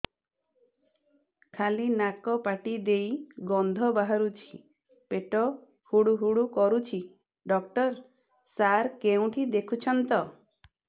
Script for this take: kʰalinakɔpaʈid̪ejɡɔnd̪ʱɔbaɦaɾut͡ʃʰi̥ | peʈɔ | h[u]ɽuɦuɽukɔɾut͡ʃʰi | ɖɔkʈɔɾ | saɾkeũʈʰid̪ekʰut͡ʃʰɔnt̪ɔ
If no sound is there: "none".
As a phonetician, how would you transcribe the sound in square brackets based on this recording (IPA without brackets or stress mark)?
u